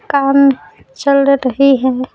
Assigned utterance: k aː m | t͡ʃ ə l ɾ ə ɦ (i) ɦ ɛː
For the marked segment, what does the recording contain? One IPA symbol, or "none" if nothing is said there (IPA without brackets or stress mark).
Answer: i